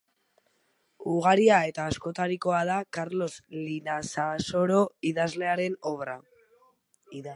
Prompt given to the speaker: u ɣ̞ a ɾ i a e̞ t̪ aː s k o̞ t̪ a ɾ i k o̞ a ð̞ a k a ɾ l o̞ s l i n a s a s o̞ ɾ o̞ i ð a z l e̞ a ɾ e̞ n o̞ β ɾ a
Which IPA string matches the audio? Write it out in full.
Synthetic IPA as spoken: u ɣ̞ a ɾ i a e̞ t̪ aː s k o̞ t̪ a ɾ i k o̞ a ð̞ a k a ɾ l o̞ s l i n a s a s o̞ ɾ o̞ i ð a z l e̞ a ɾ e̞ n o̞ β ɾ a